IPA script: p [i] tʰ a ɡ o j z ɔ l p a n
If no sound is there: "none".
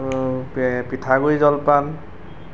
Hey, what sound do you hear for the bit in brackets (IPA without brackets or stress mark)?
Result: i